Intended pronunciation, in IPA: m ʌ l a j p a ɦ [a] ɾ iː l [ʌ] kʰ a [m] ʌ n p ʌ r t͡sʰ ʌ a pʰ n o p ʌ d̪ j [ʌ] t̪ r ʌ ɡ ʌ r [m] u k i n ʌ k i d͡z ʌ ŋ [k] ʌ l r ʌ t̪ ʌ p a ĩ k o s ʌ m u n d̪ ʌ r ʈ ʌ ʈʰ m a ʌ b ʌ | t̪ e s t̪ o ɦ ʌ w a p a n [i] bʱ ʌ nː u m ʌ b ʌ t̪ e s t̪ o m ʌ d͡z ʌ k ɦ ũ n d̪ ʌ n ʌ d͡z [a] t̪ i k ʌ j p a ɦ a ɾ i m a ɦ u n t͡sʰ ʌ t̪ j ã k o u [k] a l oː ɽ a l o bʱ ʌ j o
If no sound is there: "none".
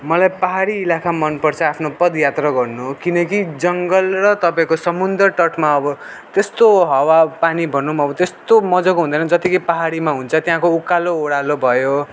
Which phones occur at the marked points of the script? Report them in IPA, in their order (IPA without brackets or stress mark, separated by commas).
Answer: a, a, m, a, n, ɡ, i, ʌ, k